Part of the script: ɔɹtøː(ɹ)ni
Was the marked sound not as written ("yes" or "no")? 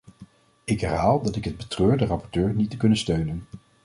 no